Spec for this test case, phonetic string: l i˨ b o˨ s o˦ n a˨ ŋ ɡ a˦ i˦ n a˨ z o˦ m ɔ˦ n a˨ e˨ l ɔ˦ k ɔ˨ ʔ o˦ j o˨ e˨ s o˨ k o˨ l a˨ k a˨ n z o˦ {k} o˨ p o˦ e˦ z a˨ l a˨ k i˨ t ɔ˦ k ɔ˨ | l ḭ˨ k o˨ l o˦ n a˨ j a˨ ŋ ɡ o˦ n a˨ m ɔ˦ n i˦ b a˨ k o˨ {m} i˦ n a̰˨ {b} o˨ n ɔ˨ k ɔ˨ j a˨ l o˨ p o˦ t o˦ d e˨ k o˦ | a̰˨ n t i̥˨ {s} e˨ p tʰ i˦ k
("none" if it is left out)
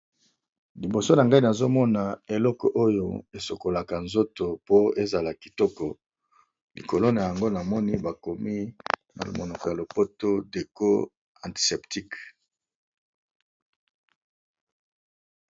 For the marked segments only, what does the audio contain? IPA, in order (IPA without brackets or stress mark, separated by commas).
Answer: t, m, m, s